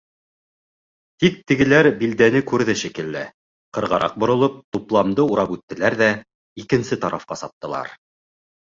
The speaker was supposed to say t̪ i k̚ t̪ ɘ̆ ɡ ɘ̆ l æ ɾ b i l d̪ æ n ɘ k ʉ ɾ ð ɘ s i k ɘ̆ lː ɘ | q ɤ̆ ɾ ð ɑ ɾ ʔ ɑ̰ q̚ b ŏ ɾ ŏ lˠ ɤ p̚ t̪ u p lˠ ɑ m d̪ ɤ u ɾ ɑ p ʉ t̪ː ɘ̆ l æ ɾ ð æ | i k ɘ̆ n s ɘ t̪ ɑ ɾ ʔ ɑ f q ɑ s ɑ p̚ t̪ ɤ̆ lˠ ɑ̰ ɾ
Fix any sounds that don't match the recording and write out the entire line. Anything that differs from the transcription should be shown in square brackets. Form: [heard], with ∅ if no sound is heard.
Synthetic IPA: t̪ i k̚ t̪ ɘ̆ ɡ ɘ̆ l æ ɾ b i l d̪ æ n ɘ k ʉ ɾ ð ɘ [ʃ] i k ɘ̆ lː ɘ | q ɤ̆ ɾ [ʁ] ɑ ɾ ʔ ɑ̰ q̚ b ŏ ɾ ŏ lˠ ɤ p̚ t̪ u p lˠ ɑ m d̪ ɤ u ɾ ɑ p ʉ t̪ː ɘ̆ l æ ɾ ð æ | i k ɘ̆ n s ɘ t̪ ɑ ɾ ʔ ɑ f q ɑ s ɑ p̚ t̪ ɤ̆ lˠ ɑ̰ ɾ